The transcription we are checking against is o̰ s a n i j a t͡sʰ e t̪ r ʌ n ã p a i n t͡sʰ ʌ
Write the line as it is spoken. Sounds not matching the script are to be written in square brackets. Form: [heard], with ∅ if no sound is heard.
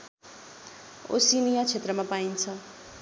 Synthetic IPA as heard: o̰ s [i] n i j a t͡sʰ e t̪ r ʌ [m] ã p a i n t͡sʰ ʌ